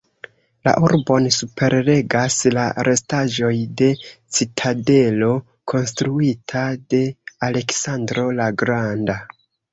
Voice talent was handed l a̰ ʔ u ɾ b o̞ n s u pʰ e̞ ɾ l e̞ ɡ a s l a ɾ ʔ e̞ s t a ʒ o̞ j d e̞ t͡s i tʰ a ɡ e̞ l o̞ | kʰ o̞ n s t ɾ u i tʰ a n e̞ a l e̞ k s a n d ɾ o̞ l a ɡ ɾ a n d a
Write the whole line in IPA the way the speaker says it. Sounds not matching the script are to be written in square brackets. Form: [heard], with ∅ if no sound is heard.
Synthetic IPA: l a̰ ʔ u ɾ b o̞ n s u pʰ e̞ ɾ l e̞ ɡ a s l a ɾ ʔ e̞ s t a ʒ o̞ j d e̞ t͡s i tʰ a [d] e̞ l o̞ | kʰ o̞ n s t ɾ u i tʰ a [d] e̞ a l e̞ k s a n d ɾ o̞ l a ɡ ɾ a n d a